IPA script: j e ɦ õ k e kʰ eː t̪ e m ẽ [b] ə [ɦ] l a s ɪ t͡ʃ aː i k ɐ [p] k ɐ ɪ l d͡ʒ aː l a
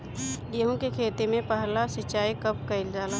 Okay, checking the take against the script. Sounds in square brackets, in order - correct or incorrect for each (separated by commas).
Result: incorrect, correct, correct